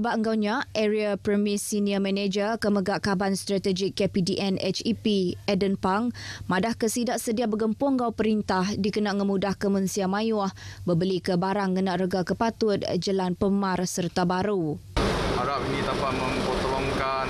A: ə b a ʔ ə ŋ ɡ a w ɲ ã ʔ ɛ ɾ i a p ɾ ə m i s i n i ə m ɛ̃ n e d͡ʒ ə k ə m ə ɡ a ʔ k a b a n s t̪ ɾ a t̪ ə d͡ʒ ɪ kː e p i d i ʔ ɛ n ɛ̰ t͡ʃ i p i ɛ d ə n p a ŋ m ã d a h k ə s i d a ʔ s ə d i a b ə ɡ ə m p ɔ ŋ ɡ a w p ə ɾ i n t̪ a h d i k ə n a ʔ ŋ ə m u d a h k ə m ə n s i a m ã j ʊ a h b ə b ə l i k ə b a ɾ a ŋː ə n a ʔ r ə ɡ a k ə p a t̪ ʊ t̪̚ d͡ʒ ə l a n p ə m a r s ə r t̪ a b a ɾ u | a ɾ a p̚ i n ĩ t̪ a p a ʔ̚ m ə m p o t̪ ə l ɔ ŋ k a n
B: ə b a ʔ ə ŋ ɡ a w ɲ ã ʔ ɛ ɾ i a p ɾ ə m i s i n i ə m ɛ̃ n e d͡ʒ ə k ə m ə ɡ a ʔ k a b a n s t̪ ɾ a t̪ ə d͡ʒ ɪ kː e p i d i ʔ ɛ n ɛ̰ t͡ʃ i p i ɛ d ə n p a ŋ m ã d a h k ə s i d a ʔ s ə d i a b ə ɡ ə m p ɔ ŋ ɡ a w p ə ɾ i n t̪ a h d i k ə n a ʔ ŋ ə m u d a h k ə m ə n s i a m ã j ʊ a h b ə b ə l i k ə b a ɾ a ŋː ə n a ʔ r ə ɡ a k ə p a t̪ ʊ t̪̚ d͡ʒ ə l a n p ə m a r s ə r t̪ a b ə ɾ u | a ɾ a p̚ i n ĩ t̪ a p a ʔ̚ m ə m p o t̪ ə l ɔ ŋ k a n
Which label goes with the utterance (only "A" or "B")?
A